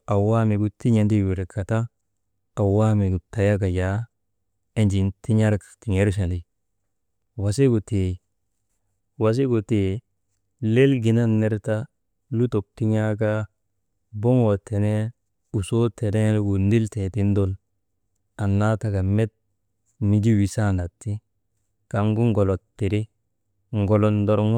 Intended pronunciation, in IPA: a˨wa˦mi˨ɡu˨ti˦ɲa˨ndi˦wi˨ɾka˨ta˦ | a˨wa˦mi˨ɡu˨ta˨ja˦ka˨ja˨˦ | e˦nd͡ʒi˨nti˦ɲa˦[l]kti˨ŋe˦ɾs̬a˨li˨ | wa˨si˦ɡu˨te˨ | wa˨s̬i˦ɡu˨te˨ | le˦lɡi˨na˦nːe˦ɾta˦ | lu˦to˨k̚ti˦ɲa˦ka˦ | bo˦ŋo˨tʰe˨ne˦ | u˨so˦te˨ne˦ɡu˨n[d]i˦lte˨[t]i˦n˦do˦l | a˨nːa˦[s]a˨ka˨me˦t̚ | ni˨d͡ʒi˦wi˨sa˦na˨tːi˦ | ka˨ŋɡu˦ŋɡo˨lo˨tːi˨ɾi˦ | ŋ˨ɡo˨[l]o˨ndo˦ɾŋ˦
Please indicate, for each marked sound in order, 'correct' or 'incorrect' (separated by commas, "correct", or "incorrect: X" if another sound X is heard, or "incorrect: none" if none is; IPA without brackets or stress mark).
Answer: incorrect: ɾ, correct, correct, incorrect: t, correct